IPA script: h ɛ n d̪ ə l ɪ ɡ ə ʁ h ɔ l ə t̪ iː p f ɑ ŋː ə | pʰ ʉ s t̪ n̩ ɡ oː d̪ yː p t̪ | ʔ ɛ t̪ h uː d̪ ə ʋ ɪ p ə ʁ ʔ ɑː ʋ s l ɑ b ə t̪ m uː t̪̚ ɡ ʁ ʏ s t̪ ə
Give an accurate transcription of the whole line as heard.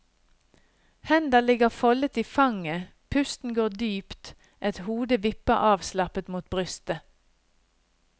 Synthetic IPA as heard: h ɛ n d̪ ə l ɪ ɡ ə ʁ f ɔ l ə t̪ iː f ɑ ŋ ə | pʰ ʉ s t̪ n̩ ɡ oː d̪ yː p t̪ | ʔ ɛ t̪ h uː d̪ ə ʋ ɪ p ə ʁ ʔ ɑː ʋ s l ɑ p ə t̪ m uː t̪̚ b ʁ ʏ s t̪ ə